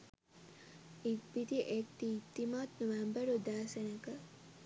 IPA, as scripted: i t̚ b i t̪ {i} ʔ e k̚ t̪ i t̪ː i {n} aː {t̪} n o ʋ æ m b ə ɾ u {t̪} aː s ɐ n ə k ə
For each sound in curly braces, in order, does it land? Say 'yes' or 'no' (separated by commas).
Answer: yes, no, yes, no